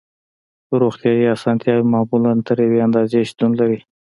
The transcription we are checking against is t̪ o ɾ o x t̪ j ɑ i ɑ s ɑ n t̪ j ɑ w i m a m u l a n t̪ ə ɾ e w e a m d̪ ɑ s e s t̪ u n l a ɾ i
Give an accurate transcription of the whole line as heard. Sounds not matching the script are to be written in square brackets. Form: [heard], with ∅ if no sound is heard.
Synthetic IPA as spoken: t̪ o ɾ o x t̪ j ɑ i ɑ s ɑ n t̪ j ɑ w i m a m u l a n t̪ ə ɾ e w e a [n] d̪ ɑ [z] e [ʃ] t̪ u n l a ɾ i

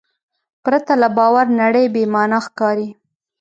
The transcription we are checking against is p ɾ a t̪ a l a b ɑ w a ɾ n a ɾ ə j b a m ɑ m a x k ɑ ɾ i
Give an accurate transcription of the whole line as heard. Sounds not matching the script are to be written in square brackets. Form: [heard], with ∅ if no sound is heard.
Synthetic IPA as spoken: p ɾ a t̪ a l a b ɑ w a ɾ n a [ɽ] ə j b [e] m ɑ [n] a x k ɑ ɾ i

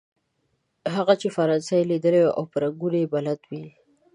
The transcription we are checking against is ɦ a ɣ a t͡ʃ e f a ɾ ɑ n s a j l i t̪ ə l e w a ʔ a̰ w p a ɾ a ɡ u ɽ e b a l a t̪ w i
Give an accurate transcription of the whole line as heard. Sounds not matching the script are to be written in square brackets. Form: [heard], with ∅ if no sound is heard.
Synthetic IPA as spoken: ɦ a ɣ a t͡ʃ e f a ɾ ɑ n s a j l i [d̪] ə l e w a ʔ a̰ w p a ɾ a ɡ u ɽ e b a l a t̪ w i

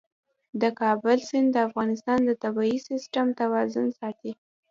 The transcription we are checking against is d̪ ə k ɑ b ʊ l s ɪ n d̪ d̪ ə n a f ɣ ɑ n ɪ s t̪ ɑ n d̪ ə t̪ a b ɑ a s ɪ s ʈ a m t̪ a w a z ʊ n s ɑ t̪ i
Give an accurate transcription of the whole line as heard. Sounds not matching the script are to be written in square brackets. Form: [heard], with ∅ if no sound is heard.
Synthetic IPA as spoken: d̪ ə k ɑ b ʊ l s ɪ n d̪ d̪ ə [∅] a f ɣ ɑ n ɪ s t̪ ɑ n d̪ ə t̪ a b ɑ [i] s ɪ s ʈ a m t̪ a w [ɑ] z ʊ n s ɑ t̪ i

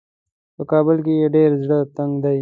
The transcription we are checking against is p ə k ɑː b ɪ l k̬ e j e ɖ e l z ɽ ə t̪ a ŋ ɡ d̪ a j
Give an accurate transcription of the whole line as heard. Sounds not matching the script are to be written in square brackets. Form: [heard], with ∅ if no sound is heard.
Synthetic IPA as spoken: p ə k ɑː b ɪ l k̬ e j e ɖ e [ɾ] z ɽ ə t̪ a ŋ ɡ d̪ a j

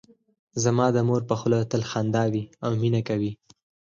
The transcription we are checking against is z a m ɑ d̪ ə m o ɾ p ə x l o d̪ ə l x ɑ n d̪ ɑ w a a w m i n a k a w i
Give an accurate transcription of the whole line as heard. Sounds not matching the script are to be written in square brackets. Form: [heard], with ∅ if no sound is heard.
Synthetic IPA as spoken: z a m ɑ d̪ ə m o ɾ p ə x l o [t̪] ə l x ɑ n d̪ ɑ w [i] a w m i n a k a w i

